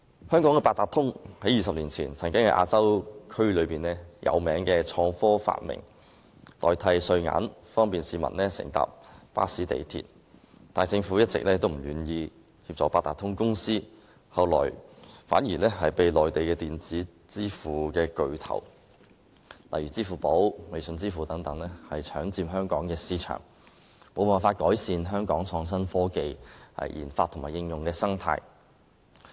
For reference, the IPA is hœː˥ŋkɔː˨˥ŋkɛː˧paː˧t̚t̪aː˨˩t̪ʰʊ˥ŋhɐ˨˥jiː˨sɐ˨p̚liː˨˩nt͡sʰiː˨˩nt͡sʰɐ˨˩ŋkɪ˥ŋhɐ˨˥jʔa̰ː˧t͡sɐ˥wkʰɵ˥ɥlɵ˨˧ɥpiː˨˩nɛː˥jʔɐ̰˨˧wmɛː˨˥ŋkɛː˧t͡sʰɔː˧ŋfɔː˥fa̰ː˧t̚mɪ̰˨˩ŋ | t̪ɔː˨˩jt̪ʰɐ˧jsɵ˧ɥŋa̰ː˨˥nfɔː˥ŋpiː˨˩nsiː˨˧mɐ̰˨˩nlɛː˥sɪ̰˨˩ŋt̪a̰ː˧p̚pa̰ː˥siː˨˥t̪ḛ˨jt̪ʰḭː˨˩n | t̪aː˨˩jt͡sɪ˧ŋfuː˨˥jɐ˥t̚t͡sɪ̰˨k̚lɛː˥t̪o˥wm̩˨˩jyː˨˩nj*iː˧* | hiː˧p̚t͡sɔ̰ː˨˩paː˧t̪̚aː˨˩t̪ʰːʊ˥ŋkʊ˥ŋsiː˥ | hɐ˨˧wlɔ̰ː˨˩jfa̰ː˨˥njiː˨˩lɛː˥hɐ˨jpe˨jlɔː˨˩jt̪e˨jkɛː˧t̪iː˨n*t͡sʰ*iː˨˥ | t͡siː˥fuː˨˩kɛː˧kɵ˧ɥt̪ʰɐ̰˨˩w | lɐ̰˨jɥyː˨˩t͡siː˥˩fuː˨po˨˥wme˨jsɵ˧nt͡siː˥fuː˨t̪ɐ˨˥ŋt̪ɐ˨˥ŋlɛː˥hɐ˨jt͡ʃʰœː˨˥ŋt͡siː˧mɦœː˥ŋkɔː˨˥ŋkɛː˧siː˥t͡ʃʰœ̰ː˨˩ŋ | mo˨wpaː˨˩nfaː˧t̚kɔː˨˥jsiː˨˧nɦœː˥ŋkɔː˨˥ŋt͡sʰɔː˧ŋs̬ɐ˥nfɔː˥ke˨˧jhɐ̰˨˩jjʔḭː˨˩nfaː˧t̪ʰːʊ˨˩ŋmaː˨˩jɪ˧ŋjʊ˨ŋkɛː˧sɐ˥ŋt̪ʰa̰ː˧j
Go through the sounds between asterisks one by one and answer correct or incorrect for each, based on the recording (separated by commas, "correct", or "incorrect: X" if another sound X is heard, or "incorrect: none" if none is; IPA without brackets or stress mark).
correct, incorrect: t͡s